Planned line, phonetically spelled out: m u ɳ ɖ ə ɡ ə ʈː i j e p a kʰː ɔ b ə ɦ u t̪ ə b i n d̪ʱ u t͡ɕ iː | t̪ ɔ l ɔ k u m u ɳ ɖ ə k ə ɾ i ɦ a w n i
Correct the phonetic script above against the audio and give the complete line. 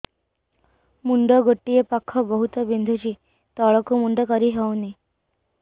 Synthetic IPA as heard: m u ɳ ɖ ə ɡ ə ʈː i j e p a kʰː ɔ b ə ɦ u t̪ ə b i n d̪ʱ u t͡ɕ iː | t̪ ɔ ɭ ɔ k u m u ɳ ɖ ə k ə ɾ i ɦ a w n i